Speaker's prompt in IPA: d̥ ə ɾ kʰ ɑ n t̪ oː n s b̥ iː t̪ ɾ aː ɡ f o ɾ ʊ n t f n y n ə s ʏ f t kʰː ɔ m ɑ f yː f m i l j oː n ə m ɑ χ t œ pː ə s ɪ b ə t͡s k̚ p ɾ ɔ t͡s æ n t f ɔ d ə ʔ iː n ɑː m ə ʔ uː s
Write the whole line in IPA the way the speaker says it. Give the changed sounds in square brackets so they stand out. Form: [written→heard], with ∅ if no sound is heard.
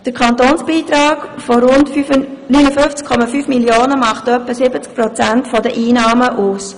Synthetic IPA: d̥ ə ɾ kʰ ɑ n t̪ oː n s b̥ iː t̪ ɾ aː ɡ f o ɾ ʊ n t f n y n ə [s→f] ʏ f [t→t͡s] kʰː ɔ m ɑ f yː f m i l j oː n ə m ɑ χ t œ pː ə s ɪ b ə t͡s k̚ p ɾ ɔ t͡s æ n t f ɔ d ə ʔ iː n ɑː m ə ʔ uː s

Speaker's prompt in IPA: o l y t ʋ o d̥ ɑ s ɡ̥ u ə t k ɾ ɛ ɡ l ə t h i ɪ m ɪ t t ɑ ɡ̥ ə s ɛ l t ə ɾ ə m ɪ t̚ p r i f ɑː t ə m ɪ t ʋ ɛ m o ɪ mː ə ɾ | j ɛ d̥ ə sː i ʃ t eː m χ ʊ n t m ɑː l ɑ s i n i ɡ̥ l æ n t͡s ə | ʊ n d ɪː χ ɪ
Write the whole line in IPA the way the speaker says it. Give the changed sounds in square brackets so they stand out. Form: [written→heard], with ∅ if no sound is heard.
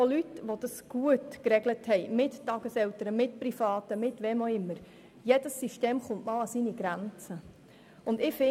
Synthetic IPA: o l y t ʋ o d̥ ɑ s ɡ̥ u ə t k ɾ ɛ ɡ l ə t h [i→ɛ] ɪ m ɪ t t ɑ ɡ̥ ə s ɛ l t ə ɾ ə m ɪ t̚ p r i f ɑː t ə m ɪ t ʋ ɛ m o ɪ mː ə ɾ | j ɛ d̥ ə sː i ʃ t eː m χ ʊ n t m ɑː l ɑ s i n i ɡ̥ [l→ɾ] æ n t͡s ə | ʊ n d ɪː [χ→f] ɪ

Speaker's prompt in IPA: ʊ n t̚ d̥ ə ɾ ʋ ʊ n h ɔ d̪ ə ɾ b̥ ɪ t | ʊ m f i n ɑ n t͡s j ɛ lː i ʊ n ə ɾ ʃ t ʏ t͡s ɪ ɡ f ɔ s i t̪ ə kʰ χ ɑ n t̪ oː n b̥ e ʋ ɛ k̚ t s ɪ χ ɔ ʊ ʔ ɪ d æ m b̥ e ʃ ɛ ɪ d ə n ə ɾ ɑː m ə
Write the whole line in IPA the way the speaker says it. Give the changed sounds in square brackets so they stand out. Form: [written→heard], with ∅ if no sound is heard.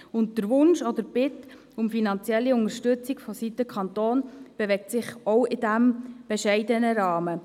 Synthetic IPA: ʊ n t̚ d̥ ə ɾ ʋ ʊ n [h→ʃ] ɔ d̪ ə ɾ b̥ ɪ t | ʊ m f i n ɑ n t͡s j ɛ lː i ʊ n ə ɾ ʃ t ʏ t͡s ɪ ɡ f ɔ s i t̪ ə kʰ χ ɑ n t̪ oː n b̥ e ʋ ɛ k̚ t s ɪ χ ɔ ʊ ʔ ɪ d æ m b̥ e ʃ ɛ ɪ d ə n ə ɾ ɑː m ə

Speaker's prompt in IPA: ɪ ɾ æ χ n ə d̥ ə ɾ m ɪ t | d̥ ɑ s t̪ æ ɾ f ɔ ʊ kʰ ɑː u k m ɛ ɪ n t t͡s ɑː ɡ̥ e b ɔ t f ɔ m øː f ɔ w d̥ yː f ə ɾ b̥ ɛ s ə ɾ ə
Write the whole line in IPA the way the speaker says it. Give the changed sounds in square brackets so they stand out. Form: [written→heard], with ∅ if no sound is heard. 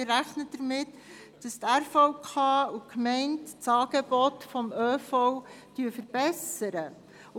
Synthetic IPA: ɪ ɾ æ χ n ə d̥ ə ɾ m ɪ t | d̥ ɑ s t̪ æ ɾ f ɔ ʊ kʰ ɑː u k m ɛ ɪ n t t͡s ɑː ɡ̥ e b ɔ t f ɔ m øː f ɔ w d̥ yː f ə ɾ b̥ ɛ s ə ɾ ə

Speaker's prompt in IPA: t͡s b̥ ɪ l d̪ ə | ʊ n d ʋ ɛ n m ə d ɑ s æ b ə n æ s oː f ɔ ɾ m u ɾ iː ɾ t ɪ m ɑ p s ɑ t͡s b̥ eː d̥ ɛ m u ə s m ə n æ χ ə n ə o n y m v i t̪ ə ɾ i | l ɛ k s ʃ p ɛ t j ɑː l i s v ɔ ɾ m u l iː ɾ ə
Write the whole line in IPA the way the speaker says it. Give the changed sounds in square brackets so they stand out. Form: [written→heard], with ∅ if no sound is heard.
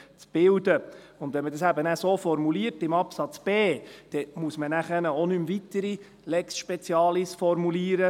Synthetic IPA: t͡s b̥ ɪ l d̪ ə | ʊ n d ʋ ɛ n m ə d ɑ s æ b ə n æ s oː f ɔ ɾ m u [ɾ→l] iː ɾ t ɪ m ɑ p s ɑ t͡s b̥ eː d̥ ɛ m u ə s m ə n æ χ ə n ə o n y m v i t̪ ə ɾ i | l ɛ k s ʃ p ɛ [t→t͡s] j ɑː l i s [v→f] ɔ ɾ m u l iː ɾ ə

